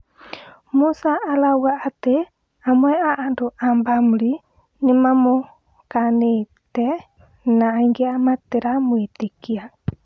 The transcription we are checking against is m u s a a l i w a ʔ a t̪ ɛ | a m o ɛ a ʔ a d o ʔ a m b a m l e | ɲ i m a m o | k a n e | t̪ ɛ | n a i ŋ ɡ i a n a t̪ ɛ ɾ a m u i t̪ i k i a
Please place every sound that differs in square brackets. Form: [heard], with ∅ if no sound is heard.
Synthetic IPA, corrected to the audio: m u s a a l [a] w a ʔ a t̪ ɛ | a m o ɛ a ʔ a d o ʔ a m b a m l [i] | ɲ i m a m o | k a n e | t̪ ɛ | n a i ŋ ɡ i a [m] a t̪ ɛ ɾ a m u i t̪ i k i a